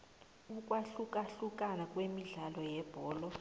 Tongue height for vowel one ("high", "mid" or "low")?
high